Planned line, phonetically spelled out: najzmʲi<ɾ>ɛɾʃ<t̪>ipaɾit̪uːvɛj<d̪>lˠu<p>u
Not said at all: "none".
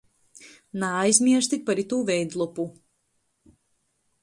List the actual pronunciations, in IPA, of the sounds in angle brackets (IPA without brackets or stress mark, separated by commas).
none, t̪, d̪, p